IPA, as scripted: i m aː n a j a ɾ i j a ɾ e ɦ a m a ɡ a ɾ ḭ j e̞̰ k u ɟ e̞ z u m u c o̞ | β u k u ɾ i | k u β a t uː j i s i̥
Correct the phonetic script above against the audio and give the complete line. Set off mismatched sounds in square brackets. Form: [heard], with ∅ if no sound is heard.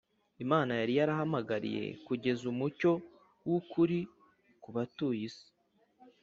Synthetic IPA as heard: i m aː n a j a ɾ i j a ɾ [a] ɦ a m a ɡ a ɾ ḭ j e̞̰ k u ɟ e̞ z u m u c o̞ | [w] u k u ɾ i | k u β a t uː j i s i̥

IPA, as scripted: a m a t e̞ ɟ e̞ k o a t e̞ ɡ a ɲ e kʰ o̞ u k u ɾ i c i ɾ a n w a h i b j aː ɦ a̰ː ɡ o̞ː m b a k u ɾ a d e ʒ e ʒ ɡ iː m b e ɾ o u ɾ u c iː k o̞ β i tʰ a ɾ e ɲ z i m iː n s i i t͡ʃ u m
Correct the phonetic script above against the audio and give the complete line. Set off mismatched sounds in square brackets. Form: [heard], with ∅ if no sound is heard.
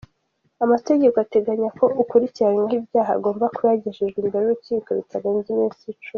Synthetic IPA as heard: a m a t e̞ ɟ e̞ k o a t e̞ ɡ a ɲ [a] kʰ o̞ u k u ɾ i c i ɾ a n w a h i b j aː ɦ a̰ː ɡ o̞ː m b a k u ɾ a [ɟ] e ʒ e ʒ ɡ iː m b e ɾ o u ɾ u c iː k o̞ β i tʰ a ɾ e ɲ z i m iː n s i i t͡ʃ u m

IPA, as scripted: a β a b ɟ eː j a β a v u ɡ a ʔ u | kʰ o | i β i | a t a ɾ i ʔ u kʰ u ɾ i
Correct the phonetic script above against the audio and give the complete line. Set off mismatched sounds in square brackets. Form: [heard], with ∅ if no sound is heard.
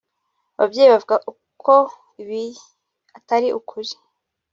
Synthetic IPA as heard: a β a b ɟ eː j [i] β a v u ɡ a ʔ u | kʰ o | i β i | a t a ɾ i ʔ u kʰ u ɾ i

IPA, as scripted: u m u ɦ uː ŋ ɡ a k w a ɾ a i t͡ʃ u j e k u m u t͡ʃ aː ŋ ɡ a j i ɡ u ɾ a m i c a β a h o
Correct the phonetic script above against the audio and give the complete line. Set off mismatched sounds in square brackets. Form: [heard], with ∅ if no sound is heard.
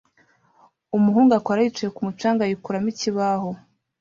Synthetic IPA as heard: u m u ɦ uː ŋ ɡ a k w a ɾ a i t͡ʃ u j e k u m u t͡ʃ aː ŋ ɡ a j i [k] u ɾ a m i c [i] β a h o

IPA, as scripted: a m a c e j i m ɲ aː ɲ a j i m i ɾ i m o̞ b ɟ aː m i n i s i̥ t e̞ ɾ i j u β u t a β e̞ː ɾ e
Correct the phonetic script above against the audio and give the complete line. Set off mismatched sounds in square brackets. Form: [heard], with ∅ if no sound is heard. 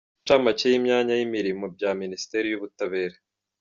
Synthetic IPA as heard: a m a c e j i m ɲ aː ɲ a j i m i ɾ i m o̞ b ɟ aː m i n i s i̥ t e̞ ɾ i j u β u t a β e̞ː ɾ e

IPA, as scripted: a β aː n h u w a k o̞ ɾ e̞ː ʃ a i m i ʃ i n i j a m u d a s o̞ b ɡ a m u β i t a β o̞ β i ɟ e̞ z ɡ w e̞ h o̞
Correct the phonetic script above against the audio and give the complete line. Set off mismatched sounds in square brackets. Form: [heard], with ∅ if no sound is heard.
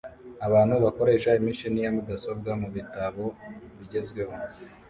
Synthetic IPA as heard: a β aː n h u [β] a k o̞ ɾ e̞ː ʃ a i m i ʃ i n i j a m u d a s o̞ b ɡ a m u β i t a β o̞ β i ɟ e̞ z ɡ w e̞ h o̞

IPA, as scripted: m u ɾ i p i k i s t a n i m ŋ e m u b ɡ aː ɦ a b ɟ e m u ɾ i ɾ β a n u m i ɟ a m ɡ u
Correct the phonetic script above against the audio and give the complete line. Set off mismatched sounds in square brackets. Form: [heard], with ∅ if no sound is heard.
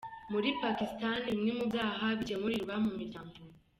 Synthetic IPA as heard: m u ɾ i p [a] k i s t a n i m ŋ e m u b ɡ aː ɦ a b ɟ e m u ɾ i ɾ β a [m] u m i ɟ a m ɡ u

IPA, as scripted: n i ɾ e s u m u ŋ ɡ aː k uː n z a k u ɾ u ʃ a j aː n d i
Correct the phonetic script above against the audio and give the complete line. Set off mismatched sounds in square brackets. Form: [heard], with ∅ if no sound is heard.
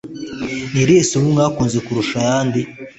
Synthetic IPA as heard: n i ɾ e s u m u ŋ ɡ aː k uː n z [e] k u ɾ u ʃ a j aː n d i

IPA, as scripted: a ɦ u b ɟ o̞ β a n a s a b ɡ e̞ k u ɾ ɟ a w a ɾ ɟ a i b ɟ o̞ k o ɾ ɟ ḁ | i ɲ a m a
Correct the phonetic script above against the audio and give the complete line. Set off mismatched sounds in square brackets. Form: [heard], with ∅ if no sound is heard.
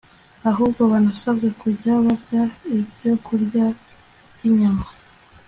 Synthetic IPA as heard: a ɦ u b [ɡ] o̞ β a n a s a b ɡ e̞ k u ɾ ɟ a [β] a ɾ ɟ a i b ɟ o̞ k [u] ɾ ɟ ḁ | i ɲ a m a

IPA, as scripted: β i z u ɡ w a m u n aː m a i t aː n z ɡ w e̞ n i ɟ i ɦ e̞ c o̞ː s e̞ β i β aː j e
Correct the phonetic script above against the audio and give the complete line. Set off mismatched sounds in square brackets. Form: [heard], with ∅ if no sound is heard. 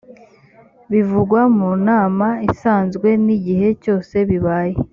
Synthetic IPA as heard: β i [v] u ɡ w a m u n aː m a i [s] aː n z ɡ w e̞ n i ɟ i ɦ e̞ c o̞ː s e̞ β i β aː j e

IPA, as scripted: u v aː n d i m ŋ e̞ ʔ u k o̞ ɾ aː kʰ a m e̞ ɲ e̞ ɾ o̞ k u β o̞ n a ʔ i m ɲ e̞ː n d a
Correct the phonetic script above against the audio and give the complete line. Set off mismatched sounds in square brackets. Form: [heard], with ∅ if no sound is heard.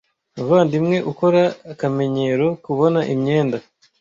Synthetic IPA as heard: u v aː n d i m ŋ e̞ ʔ u k o̞ ɾ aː [k] a m e̞ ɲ e̞ ɾ o̞ k u β o̞ n a ʔ i m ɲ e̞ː n d a

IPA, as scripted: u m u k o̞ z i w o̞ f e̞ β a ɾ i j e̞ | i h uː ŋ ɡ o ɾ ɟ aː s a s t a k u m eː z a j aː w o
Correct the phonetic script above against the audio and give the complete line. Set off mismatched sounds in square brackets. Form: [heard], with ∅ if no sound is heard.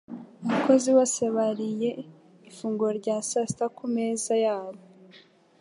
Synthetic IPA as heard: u m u k o̞ z i w o̞ [s] e̞ β a ɾ i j e̞ | i [f] uː ŋ ɡ o ɾ ɟ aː s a s t a k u m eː z a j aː [β] o

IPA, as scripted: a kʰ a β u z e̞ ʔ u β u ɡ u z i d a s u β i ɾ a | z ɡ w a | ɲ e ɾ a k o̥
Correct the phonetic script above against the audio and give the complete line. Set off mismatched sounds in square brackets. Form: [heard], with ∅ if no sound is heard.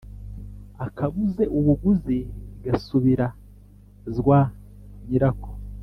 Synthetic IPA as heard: a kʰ a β u z e̞ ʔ u β u ɡ u z i [ɡ] a s u β i ɾ a | z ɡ w a | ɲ [i] ɾ a k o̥

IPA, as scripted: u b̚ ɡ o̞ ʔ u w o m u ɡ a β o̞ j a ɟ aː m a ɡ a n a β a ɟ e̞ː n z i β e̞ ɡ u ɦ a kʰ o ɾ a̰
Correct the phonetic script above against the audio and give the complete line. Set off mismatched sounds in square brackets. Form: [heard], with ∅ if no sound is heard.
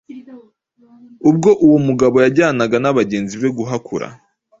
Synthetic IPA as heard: u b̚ ɡ o̞ ʔ u w o m u ɡ a β o̞ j a ɟ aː [n] a ɡ a n a β a ɟ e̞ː n z i β e̞ ɡ u ɦ a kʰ [u] ɾ a̰

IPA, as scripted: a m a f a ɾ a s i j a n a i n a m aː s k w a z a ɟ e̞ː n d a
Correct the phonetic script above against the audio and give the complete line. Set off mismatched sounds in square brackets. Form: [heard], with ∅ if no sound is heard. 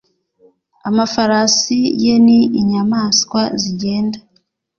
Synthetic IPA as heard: a m a f a ɾ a s i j [e] n [i] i [ɲ] a m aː s k w a z [i] ɟ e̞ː n d a

